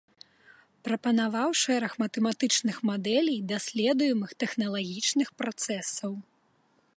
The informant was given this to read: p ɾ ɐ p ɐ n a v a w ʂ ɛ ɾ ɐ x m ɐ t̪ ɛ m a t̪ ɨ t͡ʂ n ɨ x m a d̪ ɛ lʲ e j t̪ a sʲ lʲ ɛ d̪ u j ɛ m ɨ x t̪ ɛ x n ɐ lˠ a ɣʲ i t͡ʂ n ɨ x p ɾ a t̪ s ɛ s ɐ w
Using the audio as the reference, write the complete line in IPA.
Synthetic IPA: p ɾ ɐ p ɐ n a v a w ʂ ɛ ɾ ɐ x m ɐ t̪ ɛ m a t̪ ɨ t͡ʂ n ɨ x m a d̪ ɛ lʲ i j d̪ a sʲ lʲ ɛ d̪ u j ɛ m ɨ x t̪ ɛ x n ɐ lˠ a ɣʲ i t͡ʂ n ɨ x p ɾ a t̪ s ɛ s ɐ w